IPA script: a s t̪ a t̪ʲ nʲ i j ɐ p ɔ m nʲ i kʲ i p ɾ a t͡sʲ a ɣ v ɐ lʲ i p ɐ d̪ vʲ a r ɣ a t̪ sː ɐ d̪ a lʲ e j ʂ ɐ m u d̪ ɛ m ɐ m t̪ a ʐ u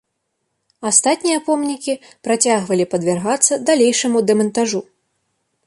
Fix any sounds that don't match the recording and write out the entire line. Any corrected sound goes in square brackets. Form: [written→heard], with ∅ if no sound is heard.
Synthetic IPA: a s t̪ a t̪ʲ nʲ i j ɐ p ɔ m nʲ i kʲ i p ɾ a t͡sʲ a ɣ v ɐ lʲ i p ɐ d̪ vʲ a r ɣ a t̪ sː ɐ d̪ a lʲ e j ʂ ɐ m u d̪ ɛ m ɐ [m→n] t̪ a ʐ u